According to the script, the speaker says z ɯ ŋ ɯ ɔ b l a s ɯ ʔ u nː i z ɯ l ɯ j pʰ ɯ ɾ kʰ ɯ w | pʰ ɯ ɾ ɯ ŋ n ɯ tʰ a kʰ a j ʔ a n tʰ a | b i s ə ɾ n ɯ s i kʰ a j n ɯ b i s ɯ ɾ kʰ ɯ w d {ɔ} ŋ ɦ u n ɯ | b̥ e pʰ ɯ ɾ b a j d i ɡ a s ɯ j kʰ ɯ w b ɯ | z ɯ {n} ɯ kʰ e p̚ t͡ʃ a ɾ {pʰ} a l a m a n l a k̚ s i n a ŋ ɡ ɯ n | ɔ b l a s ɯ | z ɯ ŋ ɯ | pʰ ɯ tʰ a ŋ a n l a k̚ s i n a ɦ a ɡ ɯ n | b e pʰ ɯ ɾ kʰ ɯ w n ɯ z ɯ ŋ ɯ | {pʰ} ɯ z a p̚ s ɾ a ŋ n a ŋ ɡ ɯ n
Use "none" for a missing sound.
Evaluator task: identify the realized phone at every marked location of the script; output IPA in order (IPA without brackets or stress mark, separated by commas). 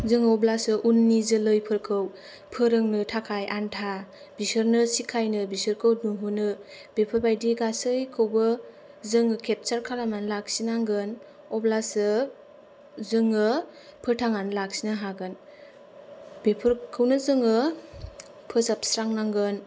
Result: u, ŋ, kʰ, pʰ